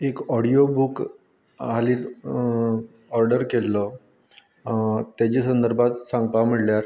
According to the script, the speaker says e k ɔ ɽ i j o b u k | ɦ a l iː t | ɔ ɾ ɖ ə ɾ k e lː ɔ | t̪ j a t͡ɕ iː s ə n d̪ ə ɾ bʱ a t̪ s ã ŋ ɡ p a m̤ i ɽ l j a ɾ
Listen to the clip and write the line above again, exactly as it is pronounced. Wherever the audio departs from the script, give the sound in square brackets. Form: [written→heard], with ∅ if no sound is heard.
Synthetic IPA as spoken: e k ɔ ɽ i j o b u k | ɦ a l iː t | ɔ ɾ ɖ ə ɾ k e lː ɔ | t̪ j a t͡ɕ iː s ə n d̪ ə ɾ bʱ a t̪ s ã ŋ ɡ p a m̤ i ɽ l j a ɾ